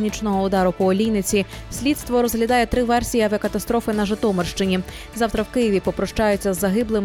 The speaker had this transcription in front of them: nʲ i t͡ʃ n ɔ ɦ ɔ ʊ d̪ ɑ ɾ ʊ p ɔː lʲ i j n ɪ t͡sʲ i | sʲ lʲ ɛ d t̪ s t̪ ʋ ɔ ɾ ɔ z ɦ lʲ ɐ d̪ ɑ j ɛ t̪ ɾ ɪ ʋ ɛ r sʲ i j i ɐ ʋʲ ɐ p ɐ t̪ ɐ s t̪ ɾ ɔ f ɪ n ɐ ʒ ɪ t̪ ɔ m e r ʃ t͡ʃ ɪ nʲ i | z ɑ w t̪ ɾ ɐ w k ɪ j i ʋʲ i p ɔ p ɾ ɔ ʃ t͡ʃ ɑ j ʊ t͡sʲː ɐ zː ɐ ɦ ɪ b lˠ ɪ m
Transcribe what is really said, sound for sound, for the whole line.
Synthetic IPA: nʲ i t͡ʃ n ɔ ɦ ɔ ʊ d̪ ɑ ɾ ʊ p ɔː lʲ i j n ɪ t͡sʲ i | sʲ lʲ i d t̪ s t̪ ʋ ɔ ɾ ɔ z ɦ lʲ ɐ d̪ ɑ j ɛ t̪ ɾ ɪ ʋ ɛ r sʲ i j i ɐ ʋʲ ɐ k ɐ t̪ ɐ s t̪ ɾ ɔ f ɪ n ɐ ʒ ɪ t̪ ɔ m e r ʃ t͡ʃ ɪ nʲ i | z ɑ w t̪ ɾ ɐ w k ɪ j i ʋʲ i p ɔ p ɾ ɔ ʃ t͡ʃ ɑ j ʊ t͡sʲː ɐ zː ɐ ɦ ɪ b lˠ ɪ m